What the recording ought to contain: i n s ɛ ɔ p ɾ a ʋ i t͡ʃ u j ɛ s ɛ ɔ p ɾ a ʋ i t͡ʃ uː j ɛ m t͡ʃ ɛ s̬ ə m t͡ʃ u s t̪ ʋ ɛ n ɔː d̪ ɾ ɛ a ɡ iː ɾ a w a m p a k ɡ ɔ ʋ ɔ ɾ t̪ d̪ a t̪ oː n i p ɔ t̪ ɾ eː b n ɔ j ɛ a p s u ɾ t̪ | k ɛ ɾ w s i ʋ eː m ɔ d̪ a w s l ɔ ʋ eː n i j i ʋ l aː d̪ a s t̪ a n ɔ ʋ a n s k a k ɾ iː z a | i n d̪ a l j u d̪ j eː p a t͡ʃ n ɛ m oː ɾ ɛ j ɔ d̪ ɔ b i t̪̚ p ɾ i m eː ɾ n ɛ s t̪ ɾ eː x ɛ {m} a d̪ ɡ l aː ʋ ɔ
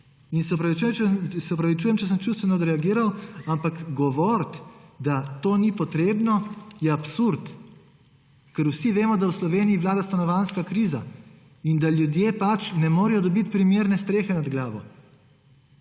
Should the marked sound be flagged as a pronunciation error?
yes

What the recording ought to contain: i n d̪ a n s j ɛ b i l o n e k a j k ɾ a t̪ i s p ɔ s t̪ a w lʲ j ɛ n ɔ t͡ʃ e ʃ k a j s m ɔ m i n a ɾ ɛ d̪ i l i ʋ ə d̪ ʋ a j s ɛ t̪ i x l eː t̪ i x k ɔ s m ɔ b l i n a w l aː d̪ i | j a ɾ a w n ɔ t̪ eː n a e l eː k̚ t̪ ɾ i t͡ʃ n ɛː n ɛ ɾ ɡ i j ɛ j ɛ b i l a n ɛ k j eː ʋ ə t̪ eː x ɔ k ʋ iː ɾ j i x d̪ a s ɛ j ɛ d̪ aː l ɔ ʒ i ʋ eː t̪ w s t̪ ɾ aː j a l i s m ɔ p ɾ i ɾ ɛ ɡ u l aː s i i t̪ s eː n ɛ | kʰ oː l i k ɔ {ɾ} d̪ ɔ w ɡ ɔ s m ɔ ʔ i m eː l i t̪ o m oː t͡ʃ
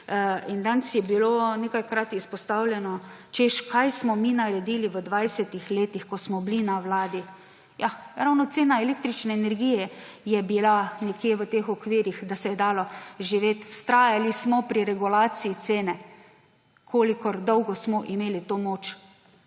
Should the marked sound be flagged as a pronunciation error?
no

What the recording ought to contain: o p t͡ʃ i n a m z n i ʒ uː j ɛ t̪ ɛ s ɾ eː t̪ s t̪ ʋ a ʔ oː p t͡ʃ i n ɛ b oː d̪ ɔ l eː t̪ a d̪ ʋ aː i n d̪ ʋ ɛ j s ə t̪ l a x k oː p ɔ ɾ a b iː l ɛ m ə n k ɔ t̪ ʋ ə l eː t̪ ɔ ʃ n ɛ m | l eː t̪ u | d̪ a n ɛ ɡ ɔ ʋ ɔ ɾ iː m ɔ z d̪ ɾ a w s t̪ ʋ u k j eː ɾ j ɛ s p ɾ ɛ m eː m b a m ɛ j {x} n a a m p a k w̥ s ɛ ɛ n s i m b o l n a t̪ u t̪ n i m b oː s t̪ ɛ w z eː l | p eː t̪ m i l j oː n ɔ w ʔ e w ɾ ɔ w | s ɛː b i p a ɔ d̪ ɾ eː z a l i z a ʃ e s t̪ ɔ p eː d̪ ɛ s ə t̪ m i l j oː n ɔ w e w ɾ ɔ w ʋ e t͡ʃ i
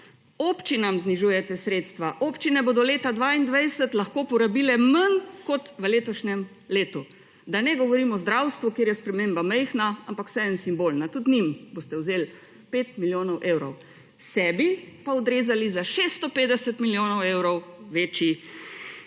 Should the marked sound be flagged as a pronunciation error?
no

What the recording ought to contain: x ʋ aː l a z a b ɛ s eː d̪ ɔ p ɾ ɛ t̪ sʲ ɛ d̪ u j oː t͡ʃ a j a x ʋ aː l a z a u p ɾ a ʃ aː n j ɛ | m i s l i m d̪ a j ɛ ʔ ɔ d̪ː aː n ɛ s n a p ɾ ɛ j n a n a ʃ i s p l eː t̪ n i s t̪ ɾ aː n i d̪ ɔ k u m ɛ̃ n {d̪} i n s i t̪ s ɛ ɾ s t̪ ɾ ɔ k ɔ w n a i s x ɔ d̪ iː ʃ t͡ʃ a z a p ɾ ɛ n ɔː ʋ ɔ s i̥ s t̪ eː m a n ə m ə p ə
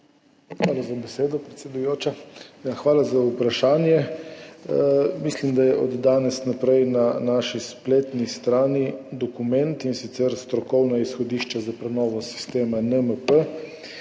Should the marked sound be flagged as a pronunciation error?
yes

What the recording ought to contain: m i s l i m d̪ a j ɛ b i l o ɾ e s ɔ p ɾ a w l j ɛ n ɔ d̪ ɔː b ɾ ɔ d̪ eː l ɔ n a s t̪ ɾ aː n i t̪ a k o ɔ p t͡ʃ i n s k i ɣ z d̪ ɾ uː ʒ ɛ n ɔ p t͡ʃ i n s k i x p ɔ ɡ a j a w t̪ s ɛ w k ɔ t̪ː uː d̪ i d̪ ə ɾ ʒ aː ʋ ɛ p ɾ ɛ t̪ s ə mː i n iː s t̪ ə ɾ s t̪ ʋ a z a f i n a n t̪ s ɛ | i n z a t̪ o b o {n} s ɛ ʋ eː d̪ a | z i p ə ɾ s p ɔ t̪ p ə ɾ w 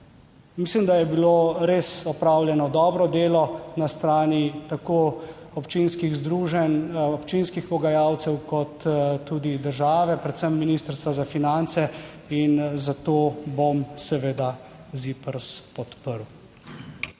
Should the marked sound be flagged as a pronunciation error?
yes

